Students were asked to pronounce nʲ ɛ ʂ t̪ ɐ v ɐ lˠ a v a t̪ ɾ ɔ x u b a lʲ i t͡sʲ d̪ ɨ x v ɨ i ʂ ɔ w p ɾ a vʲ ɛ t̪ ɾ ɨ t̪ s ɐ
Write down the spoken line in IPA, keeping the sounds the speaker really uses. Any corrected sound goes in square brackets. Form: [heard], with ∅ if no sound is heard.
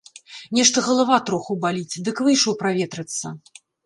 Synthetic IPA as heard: nʲ ɛ ʂ t̪ ɐ [ɣ] ɐ lˠ a v a t̪ ɾ ɔ x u b a lʲ i t͡sʲ d̪ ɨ [k] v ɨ [j] ʂ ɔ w p ɾ a vʲ ɛ t̪ ɾ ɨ t̪ [sː] ɐ

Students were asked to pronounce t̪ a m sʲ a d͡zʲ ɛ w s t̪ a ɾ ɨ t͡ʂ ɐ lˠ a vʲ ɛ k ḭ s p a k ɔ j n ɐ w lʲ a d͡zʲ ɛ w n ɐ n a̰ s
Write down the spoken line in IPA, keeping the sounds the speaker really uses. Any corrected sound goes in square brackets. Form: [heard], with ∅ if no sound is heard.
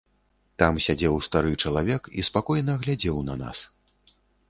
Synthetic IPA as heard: t̪ a m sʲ a d͡zʲ ɛ w s t̪ a ɾ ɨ t͡ʂ ɐ lˠ a vʲ ɛ k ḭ s p a k ɔ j n ɐ [ɣ] lʲ a d͡zʲ ɛ w n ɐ n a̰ s

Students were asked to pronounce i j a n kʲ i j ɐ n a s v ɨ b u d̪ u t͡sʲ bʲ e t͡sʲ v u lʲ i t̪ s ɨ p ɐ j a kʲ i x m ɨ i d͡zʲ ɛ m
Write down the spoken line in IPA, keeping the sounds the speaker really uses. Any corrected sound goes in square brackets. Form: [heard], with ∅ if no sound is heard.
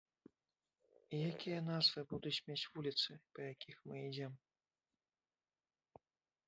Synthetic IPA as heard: i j a [∅] kʲ i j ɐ n a [z] v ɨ b u d̪ u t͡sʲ [mʲ] e t͡sʲ v u lʲ i t̪ s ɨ p ɐ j a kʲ i x m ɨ i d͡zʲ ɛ m

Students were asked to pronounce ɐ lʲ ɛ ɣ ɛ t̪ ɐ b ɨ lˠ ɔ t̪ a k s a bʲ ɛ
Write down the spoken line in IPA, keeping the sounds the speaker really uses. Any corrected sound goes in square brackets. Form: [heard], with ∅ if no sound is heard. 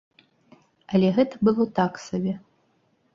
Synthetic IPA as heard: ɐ lʲ ɛ ɣ ɛ t̪ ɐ b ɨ lˠ ɔ t̪ a k s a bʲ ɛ

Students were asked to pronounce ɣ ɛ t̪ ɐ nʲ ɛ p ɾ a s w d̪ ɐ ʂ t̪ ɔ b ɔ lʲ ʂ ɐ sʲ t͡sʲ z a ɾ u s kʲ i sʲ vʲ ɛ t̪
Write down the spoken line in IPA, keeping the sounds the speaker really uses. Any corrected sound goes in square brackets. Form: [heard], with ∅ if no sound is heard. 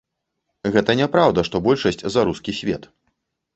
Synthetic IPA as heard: ɣ ɛ t̪ ɐ nʲ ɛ p ɾ a [∅] w d̪ ɐ ʂ t̪ ɔ b ɔ lʲ ʂ ɐ sʲ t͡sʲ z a ɾ u s kʲ i sʲ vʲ ɛ t̪

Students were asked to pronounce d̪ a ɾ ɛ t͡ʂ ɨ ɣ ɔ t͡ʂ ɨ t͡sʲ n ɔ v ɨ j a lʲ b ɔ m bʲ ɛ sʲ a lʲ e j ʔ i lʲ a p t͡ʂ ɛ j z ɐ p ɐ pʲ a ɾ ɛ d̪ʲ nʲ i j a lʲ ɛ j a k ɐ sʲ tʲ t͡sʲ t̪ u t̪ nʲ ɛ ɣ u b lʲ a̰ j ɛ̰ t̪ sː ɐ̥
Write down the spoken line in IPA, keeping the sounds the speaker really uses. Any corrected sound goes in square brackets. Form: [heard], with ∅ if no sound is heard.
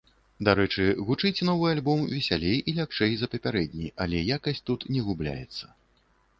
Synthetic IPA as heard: d̪ a ɾ ɛ t͡ʂ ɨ ɣ [u] t͡ʂ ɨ t͡sʲ n ɔ v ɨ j a lʲ b ɔ m [vʲ] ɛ sʲ a lʲ e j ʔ i lʲ a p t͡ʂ ɛ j z ɐ p ɐ pʲ a ɾ ɛ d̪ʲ nʲ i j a lʲ ɛ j a k ɐ sʲ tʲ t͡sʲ t̪ u t̪ nʲ ɛ ɣ u b lʲ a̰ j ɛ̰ t̪ sː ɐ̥

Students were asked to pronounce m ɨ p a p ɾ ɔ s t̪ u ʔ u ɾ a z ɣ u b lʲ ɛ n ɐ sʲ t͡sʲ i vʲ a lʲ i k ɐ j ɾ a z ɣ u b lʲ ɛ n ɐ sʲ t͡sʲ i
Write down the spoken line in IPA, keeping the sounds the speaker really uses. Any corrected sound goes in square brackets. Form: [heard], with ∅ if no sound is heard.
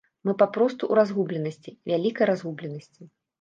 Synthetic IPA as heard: m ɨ p a p ɾ ɔ s t̪ u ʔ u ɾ a z ɣ u b lʲ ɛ n ɐ sʲ t͡sʲ i vʲ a lʲ i k ɐ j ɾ a z ɣ u b lʲ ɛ n ɐ sʲ t͡sʲ i

